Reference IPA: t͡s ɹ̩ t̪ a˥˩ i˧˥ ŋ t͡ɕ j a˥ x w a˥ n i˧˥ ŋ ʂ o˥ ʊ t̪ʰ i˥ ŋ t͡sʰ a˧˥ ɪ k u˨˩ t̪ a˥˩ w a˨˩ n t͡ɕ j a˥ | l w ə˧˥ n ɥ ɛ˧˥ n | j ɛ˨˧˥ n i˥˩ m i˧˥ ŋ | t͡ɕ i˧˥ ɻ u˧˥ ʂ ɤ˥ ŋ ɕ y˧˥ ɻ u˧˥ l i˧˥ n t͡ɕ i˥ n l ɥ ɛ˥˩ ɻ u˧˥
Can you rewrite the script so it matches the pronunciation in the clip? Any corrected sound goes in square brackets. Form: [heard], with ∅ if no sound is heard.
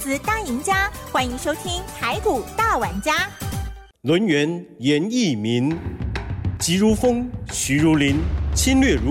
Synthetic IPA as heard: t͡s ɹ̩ t̪ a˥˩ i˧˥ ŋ t͡ɕ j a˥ x w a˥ n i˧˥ ŋ ʂ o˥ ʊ t̪ʰ i˥ ŋ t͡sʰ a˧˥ ɪ k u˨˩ t̪ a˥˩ w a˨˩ n t͡ɕ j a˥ | l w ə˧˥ n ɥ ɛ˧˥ n | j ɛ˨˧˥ n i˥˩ m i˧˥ [n] | t͡ɕ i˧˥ ɻ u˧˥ [f] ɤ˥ ŋ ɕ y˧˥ ɻ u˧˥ l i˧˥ n [t͡ɕʰ] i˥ n l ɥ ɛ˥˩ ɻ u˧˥